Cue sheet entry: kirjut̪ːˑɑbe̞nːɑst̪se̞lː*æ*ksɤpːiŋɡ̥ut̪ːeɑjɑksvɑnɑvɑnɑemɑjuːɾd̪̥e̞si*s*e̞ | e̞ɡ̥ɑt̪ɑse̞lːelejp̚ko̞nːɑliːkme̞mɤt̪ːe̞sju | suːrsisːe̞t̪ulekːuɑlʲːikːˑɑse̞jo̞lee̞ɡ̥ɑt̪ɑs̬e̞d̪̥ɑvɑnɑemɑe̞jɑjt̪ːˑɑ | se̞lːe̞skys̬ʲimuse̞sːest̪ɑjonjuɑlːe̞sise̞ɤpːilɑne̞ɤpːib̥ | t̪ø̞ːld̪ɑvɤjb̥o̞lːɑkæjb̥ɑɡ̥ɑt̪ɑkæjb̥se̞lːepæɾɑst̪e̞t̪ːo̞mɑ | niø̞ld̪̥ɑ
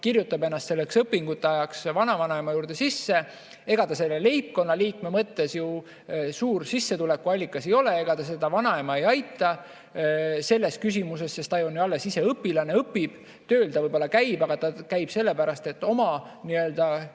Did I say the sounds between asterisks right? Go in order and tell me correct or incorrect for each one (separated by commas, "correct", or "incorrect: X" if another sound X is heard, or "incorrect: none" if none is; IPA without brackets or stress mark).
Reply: incorrect: e, incorrect: sː